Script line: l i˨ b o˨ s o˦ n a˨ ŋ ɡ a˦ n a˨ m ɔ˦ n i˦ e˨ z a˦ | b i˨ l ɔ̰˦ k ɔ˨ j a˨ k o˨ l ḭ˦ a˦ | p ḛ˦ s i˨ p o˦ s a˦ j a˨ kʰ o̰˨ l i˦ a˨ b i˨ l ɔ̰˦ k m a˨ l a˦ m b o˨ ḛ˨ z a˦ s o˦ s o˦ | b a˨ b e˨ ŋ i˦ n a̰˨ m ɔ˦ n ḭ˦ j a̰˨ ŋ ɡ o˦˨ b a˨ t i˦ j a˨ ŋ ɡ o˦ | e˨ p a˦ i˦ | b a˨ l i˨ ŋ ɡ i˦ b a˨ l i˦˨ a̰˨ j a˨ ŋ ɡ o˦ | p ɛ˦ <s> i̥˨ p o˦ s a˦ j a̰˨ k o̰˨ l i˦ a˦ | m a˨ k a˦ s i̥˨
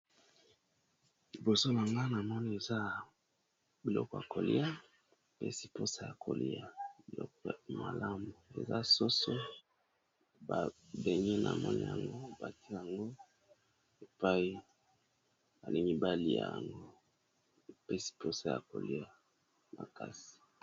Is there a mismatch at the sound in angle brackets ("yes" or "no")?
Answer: no